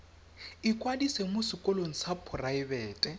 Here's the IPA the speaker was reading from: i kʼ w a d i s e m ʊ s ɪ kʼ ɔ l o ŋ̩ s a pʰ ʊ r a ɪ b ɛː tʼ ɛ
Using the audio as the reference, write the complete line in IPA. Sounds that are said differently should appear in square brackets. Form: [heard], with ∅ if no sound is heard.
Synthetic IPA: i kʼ w a d i s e m ʊ s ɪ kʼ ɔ l o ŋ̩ s a pʰ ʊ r a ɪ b ɛː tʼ ɛ